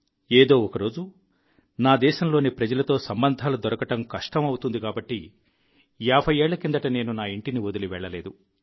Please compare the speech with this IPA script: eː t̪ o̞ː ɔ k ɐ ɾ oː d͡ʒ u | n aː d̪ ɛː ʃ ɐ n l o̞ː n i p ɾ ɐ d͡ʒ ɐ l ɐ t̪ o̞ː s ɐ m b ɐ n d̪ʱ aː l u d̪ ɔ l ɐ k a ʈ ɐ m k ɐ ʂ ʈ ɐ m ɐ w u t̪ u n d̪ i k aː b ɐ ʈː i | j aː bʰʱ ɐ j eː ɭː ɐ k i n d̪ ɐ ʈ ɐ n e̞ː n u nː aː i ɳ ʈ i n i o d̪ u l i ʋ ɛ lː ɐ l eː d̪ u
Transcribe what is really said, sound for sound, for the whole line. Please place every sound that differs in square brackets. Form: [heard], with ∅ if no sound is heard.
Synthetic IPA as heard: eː [d̪] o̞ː ɔ k ɐ ɾ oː d͡ʒ u | n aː d̪ ɛː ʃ ɐ [m] l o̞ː n i p ɾ ɐ d͡ʒ ɐ l ɐ t̪ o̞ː s ɐ m b ɐ n d̪ʱ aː l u d̪ ɔ [ɾ] ɐ k [ɐ] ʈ ɐ m k ɐ ʂ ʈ ɐ m ɐ w u t̪ u n d̪ i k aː b ɐ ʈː i | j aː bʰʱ ɐ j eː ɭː ɐ k i n d̪ ɐ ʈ ɐ n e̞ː n u [n] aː i ɳ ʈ i n i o d̪ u l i ʋ ɛ [ɭː] ɐ l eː d̪ u